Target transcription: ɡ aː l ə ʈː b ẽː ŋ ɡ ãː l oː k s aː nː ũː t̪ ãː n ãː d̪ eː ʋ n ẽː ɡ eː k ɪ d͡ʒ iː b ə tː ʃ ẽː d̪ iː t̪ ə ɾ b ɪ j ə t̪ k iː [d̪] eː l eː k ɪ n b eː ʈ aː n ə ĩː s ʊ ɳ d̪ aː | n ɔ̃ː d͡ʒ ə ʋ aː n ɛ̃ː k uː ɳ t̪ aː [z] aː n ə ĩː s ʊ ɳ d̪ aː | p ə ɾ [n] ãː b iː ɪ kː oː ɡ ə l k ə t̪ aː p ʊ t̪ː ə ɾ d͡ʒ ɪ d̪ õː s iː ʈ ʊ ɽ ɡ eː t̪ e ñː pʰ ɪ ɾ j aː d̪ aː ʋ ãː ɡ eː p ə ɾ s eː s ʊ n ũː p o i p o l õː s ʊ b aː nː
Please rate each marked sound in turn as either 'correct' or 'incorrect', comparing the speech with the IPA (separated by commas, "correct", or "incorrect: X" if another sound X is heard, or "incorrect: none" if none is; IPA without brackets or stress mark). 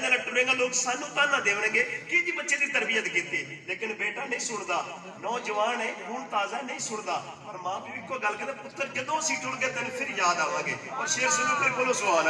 incorrect: t̪, correct, incorrect: m